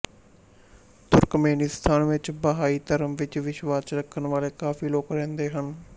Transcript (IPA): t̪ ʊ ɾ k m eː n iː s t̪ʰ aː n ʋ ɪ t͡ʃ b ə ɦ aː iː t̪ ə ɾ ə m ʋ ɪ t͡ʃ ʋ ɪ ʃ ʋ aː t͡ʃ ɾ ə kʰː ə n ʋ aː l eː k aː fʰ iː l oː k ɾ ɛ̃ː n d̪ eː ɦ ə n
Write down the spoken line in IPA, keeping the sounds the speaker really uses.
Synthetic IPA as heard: t̪ ʊ ɾ k m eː n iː s t̪ʰ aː n ʋ ɪ t͡ʃ b ə ɦ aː iː t̪ ə ɾ ə m ʋ ɪ t͡ʃ ʋ ɪ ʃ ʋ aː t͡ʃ ɾ ə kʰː ə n ʋ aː l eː k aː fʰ iː l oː k ɾ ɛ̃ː n d̪ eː ɦ ə n